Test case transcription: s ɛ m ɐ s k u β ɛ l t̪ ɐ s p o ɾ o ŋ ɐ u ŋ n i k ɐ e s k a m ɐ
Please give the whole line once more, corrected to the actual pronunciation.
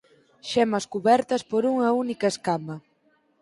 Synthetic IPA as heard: ʃ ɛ m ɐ s k u β ɛ ɾ t̪ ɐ s p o ɾ u ŋ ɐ u n i k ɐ e s k a m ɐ